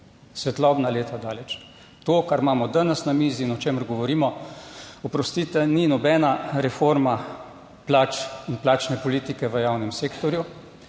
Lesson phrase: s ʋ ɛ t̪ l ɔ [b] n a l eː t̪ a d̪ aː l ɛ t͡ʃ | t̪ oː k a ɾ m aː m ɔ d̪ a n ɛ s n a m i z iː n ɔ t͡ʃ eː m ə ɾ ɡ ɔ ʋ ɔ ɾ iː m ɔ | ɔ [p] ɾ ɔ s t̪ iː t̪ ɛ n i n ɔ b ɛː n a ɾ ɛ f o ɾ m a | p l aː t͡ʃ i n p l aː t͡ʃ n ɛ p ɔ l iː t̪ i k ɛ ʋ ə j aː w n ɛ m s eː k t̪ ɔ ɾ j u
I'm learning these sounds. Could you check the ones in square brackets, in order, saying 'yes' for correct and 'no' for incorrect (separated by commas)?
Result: yes, yes